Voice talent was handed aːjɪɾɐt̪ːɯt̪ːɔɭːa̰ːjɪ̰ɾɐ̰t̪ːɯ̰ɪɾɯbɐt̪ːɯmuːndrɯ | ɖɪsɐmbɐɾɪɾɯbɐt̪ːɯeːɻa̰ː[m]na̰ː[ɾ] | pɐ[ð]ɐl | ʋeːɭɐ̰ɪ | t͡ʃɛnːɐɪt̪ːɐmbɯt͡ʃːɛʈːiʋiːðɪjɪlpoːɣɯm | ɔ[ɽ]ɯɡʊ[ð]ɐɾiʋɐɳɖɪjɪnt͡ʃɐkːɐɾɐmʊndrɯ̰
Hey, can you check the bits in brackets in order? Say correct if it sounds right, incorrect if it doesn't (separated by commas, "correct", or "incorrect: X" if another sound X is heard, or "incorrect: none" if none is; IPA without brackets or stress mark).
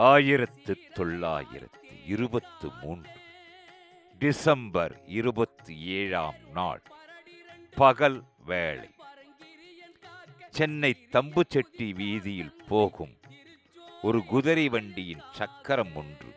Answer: correct, incorrect: ɭ, incorrect: ɣ, incorrect: ɾ, correct